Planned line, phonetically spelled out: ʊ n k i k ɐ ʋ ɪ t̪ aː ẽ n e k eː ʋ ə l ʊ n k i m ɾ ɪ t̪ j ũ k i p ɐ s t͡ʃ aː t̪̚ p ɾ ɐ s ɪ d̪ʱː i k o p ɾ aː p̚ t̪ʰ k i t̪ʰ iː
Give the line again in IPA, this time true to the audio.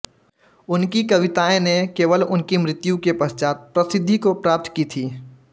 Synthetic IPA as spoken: ʊ n k i k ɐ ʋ ɪ t̪ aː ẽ n e k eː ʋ ə l ʊ n k i m ɾ ɪ t̪ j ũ k e p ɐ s t͡ʃ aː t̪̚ p ɾ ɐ s ɪ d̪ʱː i k o p ɾ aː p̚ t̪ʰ k i t̪ʰ iː

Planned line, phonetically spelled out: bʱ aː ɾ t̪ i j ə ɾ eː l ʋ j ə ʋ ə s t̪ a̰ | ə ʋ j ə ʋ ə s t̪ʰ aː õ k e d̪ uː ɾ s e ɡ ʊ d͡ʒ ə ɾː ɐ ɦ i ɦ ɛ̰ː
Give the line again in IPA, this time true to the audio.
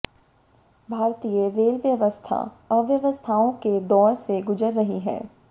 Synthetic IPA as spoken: bʱ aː ɾ t̪ i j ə ɾ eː l ʋ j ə ʋ ə s t̪ʰ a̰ | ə ʋ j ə ʋ ə s t̪ʰ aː õ k e d̪ ɔː ɾ s e ɡ ʊ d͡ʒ ə ɾː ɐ ɦ i ɦ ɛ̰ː

